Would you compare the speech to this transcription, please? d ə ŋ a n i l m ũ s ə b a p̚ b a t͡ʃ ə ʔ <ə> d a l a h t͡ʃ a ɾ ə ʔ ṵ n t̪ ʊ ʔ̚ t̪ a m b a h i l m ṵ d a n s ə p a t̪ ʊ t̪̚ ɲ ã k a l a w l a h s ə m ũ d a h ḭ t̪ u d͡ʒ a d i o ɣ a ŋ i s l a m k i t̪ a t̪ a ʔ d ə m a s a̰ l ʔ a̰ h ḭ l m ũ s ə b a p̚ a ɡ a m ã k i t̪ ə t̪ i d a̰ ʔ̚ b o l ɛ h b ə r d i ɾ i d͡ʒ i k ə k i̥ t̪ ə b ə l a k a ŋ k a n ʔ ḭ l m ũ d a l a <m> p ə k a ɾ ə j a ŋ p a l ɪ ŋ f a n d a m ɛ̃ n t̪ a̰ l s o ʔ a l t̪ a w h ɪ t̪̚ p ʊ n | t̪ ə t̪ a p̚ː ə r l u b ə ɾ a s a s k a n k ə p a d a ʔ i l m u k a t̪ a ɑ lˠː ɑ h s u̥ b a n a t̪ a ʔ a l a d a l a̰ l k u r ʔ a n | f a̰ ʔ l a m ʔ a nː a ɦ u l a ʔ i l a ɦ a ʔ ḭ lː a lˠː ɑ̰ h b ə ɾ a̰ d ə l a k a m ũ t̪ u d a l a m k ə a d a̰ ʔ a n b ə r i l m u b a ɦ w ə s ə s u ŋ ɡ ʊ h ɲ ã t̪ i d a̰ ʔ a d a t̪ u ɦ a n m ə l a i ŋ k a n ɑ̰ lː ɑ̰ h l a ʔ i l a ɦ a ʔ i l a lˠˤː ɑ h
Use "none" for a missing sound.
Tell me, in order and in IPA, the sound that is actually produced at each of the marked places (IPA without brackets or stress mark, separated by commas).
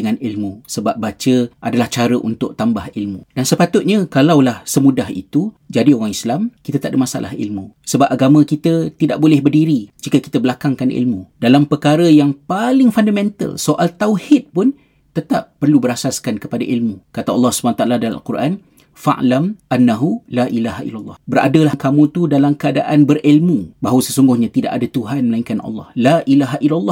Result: a, m